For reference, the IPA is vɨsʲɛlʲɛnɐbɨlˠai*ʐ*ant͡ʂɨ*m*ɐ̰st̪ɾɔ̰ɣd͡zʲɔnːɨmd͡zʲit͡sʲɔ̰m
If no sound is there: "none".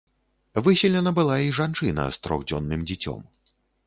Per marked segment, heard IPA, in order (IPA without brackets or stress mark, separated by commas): ʐ, n